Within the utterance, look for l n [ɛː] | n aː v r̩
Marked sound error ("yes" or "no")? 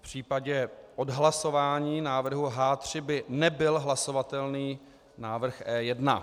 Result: yes